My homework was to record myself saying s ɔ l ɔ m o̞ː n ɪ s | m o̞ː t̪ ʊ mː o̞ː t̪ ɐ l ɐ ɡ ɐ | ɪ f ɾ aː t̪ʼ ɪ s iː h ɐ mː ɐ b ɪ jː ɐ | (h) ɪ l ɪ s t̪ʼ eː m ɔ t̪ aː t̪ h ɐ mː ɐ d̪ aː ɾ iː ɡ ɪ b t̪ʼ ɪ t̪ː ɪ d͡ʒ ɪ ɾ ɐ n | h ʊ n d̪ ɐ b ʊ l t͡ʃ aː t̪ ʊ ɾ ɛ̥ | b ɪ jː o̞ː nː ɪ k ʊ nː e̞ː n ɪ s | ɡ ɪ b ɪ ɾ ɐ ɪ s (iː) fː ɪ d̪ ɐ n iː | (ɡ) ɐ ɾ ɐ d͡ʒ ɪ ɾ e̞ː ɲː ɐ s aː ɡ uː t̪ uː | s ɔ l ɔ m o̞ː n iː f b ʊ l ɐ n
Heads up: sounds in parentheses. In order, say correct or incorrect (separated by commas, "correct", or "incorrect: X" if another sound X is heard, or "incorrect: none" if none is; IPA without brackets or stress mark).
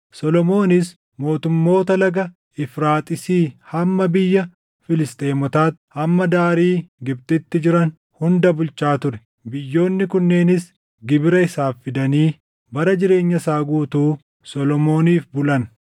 incorrect: f, incorrect: aː, incorrect: b